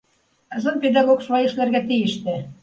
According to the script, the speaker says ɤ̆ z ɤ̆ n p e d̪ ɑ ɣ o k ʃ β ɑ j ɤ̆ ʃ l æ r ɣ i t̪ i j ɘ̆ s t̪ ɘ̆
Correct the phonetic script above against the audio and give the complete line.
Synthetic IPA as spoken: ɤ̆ z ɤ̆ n p e d̪ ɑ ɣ o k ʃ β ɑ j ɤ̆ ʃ l æ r ɣ æ t̪ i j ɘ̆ ʃ t̪ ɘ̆

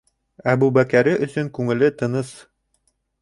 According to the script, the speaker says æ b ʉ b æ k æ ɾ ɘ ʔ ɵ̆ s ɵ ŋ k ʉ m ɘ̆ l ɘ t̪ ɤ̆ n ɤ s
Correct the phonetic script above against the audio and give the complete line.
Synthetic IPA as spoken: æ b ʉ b æ k æ ɾ ɘ ʔ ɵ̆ s ɵ ŋ k ʉ ŋ ɘ̆ l ɘ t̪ ɤ̆ n ɤ s

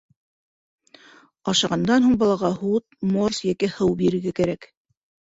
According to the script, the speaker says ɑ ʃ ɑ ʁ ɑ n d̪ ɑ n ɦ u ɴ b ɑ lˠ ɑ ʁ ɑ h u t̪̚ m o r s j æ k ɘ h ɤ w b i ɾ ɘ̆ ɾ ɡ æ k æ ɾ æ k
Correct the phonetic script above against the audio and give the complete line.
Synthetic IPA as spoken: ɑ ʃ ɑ ʁ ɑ n d̪ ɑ n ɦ u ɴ b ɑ lˠ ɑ ʁ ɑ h u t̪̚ m o r s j æ k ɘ h ɤ w b i ɾ ɘ̆ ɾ ɡ æ k æ ɾ æ k

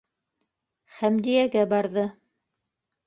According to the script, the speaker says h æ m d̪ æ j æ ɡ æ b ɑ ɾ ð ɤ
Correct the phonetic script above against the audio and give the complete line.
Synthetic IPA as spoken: χ æ m d̪ i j æ ɡ æ b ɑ ɾ ð ɤ

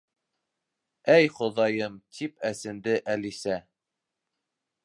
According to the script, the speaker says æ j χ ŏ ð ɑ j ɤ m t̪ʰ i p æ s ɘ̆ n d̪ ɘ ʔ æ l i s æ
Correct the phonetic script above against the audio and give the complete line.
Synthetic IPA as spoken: æ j χ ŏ ð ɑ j ɤ m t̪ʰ i p æ s ɘ̆ n d̪ ɘ ʔ æ l i s æ

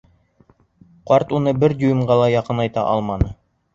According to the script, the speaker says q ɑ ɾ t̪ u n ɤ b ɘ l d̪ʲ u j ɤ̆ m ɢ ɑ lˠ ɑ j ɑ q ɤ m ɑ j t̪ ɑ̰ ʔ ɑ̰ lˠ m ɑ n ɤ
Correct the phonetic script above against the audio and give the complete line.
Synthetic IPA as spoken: q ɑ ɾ t̪ u n ɤ b ɘ ɾ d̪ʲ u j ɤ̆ m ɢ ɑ lˠ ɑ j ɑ q ɤ n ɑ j t̪ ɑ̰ ʔ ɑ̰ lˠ m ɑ n ɤ

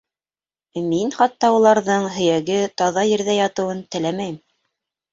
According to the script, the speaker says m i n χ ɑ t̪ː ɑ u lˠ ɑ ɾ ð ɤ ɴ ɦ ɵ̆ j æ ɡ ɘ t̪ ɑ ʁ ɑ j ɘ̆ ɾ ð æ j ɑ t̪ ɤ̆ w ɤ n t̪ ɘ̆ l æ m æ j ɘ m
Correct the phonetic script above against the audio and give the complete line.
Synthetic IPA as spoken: m i n χ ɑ t̪ː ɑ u lˠ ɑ ɾ ð ɤ ɴ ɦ ɵ̆ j æ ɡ ɘ t̪ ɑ ð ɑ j ɘ̆ ɾ ð æ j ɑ t̪ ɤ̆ w ɤ n t̪ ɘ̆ l æ m æ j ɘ m

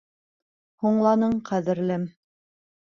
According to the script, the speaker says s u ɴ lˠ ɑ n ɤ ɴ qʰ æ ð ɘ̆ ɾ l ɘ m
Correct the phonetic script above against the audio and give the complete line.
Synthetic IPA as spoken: h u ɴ lˠ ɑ n ɤ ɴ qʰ æ ð ɘ̆ ɾ l ɘ m

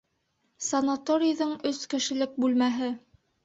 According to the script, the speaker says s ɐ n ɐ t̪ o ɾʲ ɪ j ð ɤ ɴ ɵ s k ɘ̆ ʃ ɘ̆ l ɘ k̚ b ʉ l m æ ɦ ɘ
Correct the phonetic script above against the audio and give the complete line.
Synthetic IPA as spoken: s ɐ n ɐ t̪ o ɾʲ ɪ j ð ɤ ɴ ɵ s k ɘ̆ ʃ ɘ̆ l ɘ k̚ b ʉ l m æ ɦ ɘ

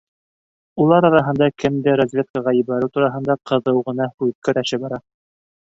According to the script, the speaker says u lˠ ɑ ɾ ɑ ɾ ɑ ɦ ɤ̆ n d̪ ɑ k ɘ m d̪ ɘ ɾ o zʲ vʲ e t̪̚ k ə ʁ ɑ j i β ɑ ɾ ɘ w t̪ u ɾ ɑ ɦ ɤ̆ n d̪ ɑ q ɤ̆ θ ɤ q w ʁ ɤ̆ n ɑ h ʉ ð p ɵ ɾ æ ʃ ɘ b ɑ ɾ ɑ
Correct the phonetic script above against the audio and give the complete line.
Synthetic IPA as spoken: u lˠ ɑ ɾ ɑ ɾ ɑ ɦ ɤ̆ n d̪ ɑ k ɘ m d̪ ɘ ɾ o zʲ vʲ e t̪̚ k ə ʁ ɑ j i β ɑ ɾ ɘ w t̪ u ɾ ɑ ɦ ɤ̆ n d̪ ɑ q ɤ̆ ð ɤ w ʁ ɤ̆ n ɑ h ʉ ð k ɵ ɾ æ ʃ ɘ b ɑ ɾ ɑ

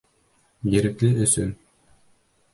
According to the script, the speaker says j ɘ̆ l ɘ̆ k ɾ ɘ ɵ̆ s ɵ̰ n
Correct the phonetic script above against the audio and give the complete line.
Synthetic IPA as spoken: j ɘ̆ ɾ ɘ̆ k l ɘ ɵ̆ s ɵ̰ n

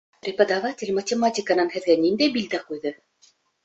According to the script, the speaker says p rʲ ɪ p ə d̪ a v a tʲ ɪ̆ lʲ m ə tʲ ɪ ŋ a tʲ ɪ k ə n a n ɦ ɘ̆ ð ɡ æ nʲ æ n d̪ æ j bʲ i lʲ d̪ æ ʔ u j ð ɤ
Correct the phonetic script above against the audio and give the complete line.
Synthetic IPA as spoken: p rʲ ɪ p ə d̪ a v a tʲ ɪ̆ lʲ m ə tʲ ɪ m a tʲ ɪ k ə n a n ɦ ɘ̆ ð ɡ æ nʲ i n d̪ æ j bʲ i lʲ d̪ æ q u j ð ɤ

